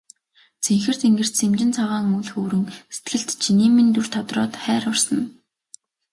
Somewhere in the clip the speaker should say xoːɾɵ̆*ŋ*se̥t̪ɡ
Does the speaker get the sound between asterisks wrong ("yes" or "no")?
no